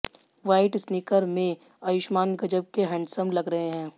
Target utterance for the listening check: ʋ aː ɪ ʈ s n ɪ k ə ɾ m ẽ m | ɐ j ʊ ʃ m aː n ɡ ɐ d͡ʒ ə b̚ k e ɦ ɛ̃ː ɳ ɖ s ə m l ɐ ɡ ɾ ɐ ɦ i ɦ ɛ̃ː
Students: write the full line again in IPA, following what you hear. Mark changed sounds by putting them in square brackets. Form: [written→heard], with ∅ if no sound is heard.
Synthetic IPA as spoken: ʋ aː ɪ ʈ s n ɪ k ə ɾ m ẽ [m→∅] | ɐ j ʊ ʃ m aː n ɡ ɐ d͡ʒ ə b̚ k e ɦ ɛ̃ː ɳ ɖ s ə m l ɐ ɡ ɾ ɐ ɦ [i→e] ɦ ɛ̃ː